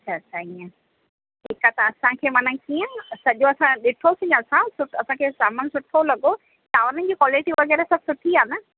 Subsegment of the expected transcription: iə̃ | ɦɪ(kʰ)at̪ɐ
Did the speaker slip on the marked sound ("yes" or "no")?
yes